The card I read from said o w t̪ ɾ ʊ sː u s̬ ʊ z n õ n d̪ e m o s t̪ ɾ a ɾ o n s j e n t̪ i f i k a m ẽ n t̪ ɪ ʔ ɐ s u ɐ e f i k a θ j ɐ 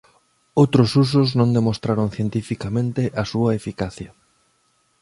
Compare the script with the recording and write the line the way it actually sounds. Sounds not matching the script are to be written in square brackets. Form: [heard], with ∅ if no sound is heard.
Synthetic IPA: o w t̪ ɾ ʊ [s] u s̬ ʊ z n õ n d̪ e m o s t̪ ɾ a ɾ o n [θ] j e n t̪ i f i k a m ẽ n t̪ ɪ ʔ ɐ s u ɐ e f i k a θ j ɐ